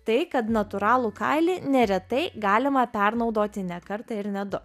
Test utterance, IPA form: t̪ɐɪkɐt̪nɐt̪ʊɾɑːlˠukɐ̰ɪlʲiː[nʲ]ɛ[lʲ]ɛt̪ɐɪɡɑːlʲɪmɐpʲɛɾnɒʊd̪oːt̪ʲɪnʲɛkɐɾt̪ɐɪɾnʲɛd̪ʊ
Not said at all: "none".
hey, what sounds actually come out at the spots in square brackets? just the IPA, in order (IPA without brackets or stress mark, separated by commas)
nʲ, ɾʲ